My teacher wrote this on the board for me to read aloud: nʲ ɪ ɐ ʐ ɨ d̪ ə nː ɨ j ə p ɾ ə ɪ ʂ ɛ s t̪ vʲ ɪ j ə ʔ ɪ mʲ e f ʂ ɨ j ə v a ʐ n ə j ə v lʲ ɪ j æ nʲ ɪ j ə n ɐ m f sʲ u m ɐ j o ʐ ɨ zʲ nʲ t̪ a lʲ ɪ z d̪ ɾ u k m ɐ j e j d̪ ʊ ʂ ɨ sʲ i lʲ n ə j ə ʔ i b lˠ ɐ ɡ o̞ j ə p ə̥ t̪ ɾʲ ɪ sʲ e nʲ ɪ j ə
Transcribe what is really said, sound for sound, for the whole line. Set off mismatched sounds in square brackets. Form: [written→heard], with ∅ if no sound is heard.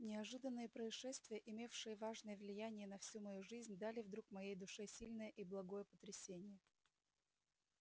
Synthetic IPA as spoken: nʲ ɪ ɐ ʐ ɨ d̪ ə nː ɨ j ə p ɾ ə ɪ ʂ ɛ s t̪ vʲ ɪ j ə ʔ ɪ mʲ e f ʂ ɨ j ə v a ʐ n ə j ə v lʲ ɪ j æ nʲ ɪ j ə n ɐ [m→∅] f sʲ u m ɐ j [o→u] ʐ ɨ zʲ nʲ [t̪→d̪] a lʲ ɪ [z→v] d̪ ɾ u k m ɐ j e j d̪ ʊ ʂ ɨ sʲ i lʲ n ə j ə ʔ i b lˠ ɐ ɡ o̞ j ə p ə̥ t̪ ɾʲ ɪ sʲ e nʲ ɪ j ə